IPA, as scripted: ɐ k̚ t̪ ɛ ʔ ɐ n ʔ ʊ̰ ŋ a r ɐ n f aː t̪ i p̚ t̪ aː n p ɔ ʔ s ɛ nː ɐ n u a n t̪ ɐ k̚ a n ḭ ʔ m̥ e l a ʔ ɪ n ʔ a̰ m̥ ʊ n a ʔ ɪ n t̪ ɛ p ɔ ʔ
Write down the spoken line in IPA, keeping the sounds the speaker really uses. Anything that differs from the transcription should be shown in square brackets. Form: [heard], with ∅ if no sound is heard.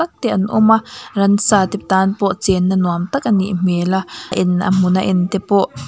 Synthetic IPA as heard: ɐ k̚ t̪ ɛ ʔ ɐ n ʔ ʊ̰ [m] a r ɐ n [s] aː t̪ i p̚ t̪ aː n p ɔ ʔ [t͡s] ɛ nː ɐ n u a [m] t̪ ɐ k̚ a n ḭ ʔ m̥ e l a ʔ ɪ n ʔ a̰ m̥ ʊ n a ʔ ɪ n t̪ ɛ p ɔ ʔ